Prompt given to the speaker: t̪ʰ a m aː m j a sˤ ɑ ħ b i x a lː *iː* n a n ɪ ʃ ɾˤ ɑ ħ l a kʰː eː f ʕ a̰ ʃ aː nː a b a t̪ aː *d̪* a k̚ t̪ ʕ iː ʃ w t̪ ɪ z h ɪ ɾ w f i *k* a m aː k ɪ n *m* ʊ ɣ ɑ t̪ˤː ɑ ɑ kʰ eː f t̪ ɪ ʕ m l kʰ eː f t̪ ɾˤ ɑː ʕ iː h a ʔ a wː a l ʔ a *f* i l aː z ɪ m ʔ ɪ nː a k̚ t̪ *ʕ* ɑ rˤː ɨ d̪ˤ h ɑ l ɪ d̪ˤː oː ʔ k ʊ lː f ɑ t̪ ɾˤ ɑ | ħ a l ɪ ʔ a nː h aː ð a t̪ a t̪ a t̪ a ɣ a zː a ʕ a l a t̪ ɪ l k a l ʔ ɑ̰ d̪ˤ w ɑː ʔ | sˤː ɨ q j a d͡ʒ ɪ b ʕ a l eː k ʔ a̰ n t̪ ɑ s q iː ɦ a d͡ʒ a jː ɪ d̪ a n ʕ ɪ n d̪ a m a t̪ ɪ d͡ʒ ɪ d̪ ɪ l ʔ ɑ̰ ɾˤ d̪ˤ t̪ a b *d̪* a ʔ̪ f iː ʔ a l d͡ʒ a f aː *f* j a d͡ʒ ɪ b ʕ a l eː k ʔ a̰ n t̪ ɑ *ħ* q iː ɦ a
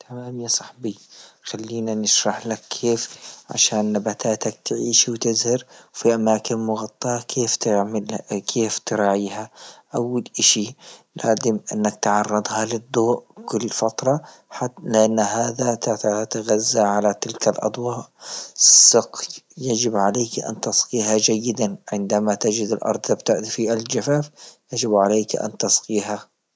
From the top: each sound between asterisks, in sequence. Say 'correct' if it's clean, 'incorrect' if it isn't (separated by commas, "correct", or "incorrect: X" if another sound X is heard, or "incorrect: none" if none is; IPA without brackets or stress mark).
correct, incorrect: t̪, incorrect: ʔ, correct, incorrect: ʃ, correct, incorrect: t̪, correct, incorrect: s